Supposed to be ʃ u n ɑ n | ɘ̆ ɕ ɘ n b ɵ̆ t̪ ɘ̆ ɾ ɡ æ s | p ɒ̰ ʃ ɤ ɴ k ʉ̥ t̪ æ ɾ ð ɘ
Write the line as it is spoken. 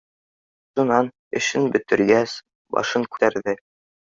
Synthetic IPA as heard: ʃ u n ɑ n | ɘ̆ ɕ ɘ n b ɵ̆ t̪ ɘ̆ ɾ ɡ æ s | b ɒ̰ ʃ ɤ ŋ k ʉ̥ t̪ æ ɾ ð ɘ